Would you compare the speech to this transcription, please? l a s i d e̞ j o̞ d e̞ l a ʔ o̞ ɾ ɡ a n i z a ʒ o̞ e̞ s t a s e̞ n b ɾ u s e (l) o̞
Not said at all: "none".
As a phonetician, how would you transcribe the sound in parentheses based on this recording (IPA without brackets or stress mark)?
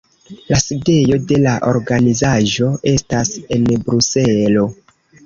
l